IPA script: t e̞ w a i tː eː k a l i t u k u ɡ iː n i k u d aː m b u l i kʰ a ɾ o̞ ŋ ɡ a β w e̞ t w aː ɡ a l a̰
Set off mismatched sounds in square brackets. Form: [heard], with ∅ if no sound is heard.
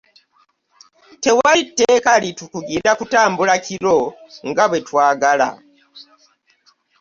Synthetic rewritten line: t e̞ w a i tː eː k a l i t u k u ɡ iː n [a] k u [t] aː m b u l [a] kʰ [i] ɾ o̞ ŋ ɡ a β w e̞ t w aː ɡ a l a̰